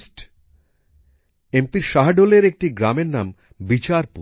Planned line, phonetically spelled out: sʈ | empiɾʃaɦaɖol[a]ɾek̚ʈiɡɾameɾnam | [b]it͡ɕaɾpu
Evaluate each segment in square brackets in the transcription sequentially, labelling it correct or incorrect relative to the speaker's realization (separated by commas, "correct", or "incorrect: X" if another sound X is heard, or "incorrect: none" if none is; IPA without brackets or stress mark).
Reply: incorrect: e, correct